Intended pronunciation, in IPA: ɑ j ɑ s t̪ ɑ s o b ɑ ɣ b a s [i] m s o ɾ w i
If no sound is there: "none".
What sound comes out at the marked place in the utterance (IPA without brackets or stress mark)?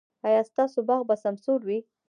a